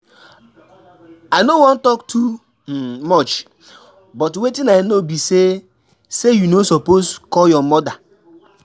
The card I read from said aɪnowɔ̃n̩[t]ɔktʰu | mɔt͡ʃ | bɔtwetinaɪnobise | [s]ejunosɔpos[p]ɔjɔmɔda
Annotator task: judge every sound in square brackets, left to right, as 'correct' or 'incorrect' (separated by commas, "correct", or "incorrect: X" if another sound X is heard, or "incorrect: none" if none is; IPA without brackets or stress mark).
correct, correct, incorrect: k